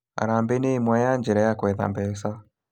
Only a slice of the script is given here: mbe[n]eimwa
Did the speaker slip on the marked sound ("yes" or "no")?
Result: no